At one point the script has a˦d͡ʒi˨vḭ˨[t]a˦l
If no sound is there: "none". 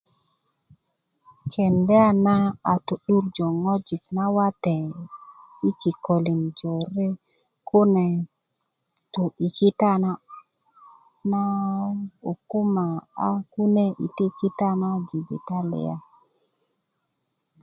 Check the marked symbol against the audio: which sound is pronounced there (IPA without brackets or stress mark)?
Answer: t